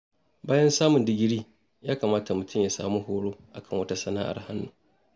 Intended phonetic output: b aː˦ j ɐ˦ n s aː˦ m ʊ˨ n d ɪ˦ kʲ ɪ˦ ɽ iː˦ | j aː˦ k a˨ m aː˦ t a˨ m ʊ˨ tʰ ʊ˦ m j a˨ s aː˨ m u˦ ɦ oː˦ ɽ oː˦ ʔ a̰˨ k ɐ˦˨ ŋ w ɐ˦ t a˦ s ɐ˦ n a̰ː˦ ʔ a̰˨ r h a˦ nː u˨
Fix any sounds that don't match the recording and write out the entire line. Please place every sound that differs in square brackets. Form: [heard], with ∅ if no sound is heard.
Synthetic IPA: b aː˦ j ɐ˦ n s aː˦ m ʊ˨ n d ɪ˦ [ɡʲ] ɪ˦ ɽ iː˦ | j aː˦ k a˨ m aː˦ t a˨ m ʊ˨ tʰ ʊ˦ m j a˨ s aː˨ m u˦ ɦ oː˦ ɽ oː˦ ʔ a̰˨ k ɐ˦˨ ŋ w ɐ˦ t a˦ s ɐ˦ n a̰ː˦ ʔ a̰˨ r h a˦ nː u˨